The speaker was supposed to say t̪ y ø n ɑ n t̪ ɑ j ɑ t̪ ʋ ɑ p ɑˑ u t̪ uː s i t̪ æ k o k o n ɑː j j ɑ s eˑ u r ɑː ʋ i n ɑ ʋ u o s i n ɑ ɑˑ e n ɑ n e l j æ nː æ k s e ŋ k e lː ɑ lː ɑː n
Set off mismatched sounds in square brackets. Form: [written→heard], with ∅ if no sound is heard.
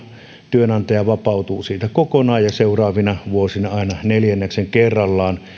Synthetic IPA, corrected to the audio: t̪ y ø n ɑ n t̪ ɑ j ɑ [t̪→∅] ʋ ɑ p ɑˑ u t̪ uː s [i→iː] t̪ æ k o k o n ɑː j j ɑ s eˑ u r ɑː ʋ i n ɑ ʋ u o s i n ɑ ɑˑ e n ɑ n e l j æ nː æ k s e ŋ k e [lː→rː] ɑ lː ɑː n

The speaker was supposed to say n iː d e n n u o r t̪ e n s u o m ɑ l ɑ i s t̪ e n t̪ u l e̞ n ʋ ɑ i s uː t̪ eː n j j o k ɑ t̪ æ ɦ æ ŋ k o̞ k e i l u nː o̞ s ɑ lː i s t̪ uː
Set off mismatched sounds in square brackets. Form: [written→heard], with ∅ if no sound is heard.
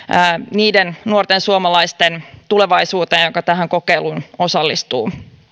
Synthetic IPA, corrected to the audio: n iː d e n n u o r t̪ e n s u o m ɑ l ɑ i s t̪ e n t̪ u l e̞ [n→∅] ʋ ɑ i s uː t̪ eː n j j o k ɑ t̪ æ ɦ æ ŋ k o̞ k e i l u [nː→n] o̞ s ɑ lː i s t̪ uː

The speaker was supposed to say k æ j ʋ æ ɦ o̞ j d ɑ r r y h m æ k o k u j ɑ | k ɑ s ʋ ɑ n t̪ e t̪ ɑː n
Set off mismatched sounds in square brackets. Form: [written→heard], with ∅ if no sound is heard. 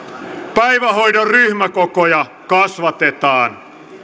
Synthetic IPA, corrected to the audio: [k→p] æ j ʋ æ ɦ o̞ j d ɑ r r y h m æ k o k [u→o] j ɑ | k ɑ s ʋ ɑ [n→∅] t̪ e t̪ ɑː n

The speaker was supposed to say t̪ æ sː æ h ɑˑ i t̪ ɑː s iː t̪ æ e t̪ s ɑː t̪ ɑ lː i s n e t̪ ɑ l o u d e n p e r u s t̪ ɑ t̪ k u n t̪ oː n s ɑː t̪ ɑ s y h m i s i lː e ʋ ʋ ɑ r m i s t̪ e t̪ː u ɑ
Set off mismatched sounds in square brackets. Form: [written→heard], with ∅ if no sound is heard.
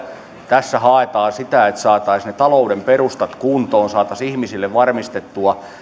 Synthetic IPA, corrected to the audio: t̪ æ sː æ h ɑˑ [i→e] t̪ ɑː s [iː→i] t̪ æ e t̪ s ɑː t̪ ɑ [lː→∅] i s n e t̪ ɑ l o u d e [n→m] p e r u s t̪ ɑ t̪ k u n t̪ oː n s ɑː t̪ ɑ s [y→i] h m i s i lː e ʋ ʋ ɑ r m i s t̪ e t̪ː u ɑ

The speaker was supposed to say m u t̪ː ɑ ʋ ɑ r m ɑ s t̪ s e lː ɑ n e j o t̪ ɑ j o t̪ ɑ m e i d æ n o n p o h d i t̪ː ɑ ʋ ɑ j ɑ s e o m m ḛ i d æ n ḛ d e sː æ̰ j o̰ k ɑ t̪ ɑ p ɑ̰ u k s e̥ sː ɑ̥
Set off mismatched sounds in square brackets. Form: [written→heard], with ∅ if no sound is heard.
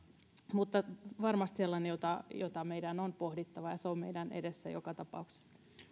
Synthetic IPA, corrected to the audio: m u t̪ː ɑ ʋ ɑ r m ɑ s t̪ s e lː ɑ n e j o t̪ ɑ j o t̪ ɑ m e i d æ n o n p o h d i t̪ː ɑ ʋ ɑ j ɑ s e o m m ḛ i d æ n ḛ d e sː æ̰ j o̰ k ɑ t̪ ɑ p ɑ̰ u k s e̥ sː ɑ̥

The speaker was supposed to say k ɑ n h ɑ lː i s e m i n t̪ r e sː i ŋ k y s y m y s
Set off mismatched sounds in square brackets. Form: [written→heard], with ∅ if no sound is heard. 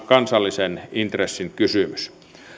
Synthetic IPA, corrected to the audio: k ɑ n [h→s] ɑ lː i s e [m→n] i n t̪ r e sː i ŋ k y s y m y s

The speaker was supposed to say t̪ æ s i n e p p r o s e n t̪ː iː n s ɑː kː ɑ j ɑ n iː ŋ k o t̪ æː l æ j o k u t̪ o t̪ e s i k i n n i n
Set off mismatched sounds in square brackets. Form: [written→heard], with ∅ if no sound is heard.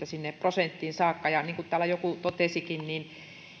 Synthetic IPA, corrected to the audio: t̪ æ s i [n→nː] e p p r o s e n t̪ː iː n s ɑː kː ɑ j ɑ n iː ŋ k [o→u] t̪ æː l æ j o k u t̪ o t̪ e s i k i n n i n

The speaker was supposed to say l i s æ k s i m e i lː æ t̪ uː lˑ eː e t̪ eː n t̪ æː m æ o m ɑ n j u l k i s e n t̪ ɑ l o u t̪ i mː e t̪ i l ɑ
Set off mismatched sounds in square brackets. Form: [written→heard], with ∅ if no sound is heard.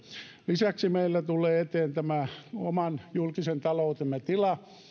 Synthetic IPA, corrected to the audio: l i s æ k s i m e i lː æ t̪ [uː→u] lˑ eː e t̪ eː n t̪ [æː→æ] m æ o m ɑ n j u l k i s e n t̪ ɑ l o u t̪ [i→e] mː e t̪ i l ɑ

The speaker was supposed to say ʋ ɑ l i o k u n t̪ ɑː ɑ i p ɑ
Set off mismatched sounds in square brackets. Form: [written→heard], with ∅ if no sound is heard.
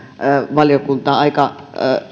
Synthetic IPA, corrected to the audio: ʋ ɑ l [i→j] o k u n t̪ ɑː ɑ i [p→k] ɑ

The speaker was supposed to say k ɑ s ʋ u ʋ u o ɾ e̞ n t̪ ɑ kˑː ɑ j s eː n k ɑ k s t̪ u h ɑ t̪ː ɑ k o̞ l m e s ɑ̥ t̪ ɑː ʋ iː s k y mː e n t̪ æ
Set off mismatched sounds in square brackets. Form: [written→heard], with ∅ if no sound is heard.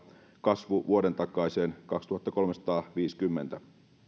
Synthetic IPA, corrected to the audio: k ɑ s ʋ u ʋ u o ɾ e̞ n t̪ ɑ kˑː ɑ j s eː n k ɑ k s t̪ u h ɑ t̪ː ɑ k o̞ l m e s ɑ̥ t̪ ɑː ʋ iː s k y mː e n t̪ æ

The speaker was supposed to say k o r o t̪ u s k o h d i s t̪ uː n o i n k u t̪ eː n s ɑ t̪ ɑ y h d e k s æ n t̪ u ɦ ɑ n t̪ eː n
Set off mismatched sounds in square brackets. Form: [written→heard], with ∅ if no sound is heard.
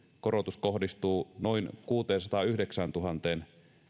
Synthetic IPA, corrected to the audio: k o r o t̪ u s k o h d i s t̪ uː n o i n k [u→uː] t̪ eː n s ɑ t̪ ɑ y h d e k s æ n t̪ u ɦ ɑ n t̪ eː n

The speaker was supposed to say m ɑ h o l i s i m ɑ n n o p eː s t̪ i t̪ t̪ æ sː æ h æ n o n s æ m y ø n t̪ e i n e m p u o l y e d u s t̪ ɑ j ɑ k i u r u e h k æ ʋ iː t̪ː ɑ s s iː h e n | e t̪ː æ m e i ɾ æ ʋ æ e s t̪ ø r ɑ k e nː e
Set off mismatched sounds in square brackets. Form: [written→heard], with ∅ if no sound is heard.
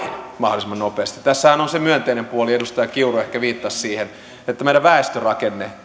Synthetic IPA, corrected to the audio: m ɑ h o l i s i m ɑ n n o p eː s t̪ i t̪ t̪ æ sː æ h æ n o n s [æ→e] m y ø n t̪ e i n e m p u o l [y→i] e d u s t̪ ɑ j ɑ k i u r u e h k æ ʋ iː t̪ː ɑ s s iː h e n | e t̪ː æ m e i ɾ æ ʋ æ e s t̪ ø r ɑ k e nː e

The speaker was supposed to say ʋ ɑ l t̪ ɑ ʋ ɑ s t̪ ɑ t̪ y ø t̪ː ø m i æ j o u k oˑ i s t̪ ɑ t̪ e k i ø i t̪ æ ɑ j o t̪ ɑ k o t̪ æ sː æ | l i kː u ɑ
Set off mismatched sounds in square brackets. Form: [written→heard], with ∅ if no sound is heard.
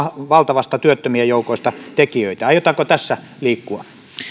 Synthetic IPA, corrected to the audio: ʋ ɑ l t̪ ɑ ʋ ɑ s t̪ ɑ t̪ y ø t̪ː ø m i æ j o u k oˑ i s t̪ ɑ t̪ e k i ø i t̪ æ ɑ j o t̪ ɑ k o t̪ æ sː æ | l [i→iː] kː u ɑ

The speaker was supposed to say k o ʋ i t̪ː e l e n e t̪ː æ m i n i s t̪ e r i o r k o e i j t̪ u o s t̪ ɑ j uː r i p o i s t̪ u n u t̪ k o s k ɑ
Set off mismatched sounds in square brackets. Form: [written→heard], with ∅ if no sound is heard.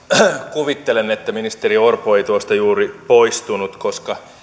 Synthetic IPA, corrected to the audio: k [o→u] ʋ i t̪ː e l e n e t̪ː æ m i n i s t̪ e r i o r [k→p] o e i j t̪ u o s t̪ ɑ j uː r i p o i s t̪ u n u t̪ k o s k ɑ

